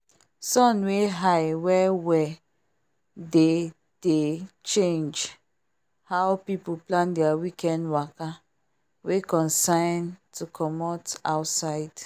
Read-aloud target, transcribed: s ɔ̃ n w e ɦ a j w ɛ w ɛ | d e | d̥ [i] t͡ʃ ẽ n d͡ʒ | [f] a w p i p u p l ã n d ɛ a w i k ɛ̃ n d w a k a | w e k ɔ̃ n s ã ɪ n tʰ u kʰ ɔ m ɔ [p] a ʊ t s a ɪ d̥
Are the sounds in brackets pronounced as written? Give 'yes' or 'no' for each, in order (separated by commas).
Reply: no, no, no